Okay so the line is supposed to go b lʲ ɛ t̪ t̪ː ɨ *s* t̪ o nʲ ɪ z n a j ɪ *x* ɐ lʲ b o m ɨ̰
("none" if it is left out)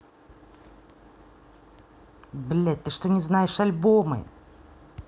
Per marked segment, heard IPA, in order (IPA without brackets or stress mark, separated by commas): ʂ, ʂ